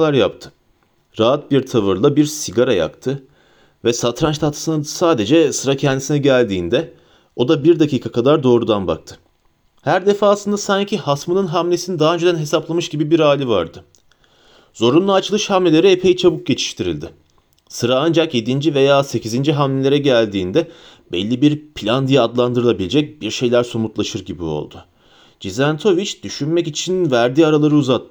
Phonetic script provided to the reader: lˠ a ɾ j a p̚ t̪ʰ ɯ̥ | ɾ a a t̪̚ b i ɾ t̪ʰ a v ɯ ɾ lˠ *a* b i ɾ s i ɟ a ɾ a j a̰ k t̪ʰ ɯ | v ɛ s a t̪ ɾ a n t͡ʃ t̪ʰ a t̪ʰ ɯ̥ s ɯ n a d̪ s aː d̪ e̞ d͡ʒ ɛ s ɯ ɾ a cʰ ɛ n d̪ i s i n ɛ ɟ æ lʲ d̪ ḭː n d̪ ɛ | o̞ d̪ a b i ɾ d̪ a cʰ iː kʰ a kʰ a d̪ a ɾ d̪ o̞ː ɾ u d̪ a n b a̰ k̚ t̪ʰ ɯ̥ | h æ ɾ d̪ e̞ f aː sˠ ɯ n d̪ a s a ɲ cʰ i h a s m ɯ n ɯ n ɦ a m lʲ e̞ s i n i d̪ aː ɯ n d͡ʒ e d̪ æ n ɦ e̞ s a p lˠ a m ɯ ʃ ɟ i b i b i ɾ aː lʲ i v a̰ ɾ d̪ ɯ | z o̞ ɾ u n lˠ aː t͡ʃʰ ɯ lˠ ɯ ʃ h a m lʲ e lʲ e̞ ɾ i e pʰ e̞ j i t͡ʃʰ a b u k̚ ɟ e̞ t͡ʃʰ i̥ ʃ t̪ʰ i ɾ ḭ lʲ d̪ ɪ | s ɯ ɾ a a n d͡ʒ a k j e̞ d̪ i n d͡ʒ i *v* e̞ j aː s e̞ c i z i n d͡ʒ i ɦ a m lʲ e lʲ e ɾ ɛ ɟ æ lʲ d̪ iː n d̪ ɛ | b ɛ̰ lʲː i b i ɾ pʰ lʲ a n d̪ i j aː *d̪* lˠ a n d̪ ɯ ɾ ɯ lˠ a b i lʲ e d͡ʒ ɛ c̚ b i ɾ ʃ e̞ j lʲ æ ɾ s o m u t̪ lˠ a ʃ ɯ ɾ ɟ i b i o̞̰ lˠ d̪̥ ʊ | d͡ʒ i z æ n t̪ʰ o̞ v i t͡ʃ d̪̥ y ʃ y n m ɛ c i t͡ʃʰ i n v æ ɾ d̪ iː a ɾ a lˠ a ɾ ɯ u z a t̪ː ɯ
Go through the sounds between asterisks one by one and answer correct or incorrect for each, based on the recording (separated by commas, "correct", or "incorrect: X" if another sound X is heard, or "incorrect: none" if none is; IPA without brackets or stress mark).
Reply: correct, correct, correct